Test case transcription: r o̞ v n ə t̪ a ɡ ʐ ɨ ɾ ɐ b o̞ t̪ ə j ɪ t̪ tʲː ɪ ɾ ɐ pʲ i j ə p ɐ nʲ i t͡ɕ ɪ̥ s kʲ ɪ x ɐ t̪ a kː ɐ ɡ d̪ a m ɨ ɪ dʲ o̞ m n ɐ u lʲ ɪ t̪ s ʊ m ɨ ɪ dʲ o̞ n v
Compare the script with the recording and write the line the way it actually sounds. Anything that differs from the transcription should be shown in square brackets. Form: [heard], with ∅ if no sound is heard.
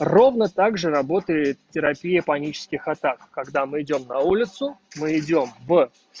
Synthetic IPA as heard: r o̞ v n ə t̪ a ɡ ʐ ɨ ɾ ɐ b o̞ t̪ ə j ɪ t̪ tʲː ɪ ɾ ɐ pʲ i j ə p ɐ nʲ i t͡ɕ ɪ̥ s kʲ ɪ x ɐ t̪ a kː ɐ ɡ d̪ a m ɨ ɪ dʲ o̞ m n ɐ u lʲ ɪ t̪ s ʊ m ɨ ɪ dʲ o̞ [m] v

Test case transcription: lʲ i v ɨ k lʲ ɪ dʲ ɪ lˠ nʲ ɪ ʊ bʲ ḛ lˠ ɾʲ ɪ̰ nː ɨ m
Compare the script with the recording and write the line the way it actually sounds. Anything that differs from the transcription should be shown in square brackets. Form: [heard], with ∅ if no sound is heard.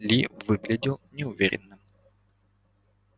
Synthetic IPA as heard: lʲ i v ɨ [ɡ] lʲ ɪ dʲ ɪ lˠ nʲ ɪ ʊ [vʲ] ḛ [∅] ɾʲ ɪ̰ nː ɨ m

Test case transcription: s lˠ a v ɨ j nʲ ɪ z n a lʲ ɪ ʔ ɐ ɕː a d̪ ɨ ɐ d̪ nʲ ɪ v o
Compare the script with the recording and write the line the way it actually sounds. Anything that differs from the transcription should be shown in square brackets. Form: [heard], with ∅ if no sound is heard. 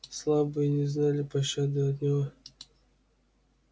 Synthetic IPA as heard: s lˠ a [b] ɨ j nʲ ɪ z n a lʲ ɪ [p] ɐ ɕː a d̪ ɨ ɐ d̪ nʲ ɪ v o

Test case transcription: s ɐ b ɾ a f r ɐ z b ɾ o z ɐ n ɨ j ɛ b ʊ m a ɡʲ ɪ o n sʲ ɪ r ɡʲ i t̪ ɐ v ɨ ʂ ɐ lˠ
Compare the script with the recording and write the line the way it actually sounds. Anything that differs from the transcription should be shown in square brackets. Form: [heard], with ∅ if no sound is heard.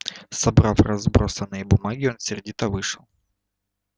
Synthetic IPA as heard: s ɐ b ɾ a f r ɐ z b ɾ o [s] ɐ n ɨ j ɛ b ʊ m a ɡʲ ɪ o n sʲ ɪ r [dʲ] i t̪ ɐ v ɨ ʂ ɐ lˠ

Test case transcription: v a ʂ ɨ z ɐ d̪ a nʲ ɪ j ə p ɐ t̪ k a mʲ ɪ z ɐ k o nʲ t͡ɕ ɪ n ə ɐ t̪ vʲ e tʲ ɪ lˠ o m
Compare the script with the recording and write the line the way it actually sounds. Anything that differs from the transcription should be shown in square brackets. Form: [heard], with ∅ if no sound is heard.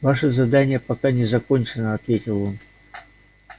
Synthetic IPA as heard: v a ʂ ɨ z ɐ d̪ a nʲ ɪ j ə p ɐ [∅] k a [nʲ] ɪ z ɐ k o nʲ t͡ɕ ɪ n ə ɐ t̪ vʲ e tʲ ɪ lˠ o [n]

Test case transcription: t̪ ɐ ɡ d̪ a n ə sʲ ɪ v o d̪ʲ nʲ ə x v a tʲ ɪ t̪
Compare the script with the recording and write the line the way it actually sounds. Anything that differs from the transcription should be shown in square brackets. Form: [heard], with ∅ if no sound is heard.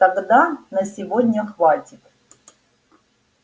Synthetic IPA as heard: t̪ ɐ ɡ d̪ a n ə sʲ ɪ v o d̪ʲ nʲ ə x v a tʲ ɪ t̪

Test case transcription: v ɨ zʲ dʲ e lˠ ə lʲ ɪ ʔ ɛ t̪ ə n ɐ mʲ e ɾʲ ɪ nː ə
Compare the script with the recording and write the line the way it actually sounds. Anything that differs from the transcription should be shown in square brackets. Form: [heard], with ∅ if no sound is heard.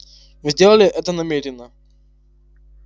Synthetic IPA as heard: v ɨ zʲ dʲ e lˠ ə lʲ ɪ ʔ ɛ t̪ ə n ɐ mʲ e ɾʲ ɪ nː ə

